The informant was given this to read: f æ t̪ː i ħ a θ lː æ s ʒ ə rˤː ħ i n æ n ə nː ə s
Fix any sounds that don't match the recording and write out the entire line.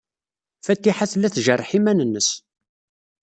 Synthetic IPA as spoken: f æ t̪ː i ħ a θ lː æ θ ʒ ə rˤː ħ i m æ n ə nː ə s